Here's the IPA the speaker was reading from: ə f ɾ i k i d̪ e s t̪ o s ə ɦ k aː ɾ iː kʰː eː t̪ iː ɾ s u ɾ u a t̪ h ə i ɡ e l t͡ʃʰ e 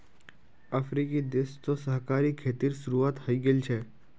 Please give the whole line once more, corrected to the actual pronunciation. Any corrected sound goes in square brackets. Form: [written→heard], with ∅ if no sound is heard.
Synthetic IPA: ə f ɾ i k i d̪ e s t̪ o s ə ɦ k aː ɾ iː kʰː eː t̪ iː ɾ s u ɾ u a t̪ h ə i ɡ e l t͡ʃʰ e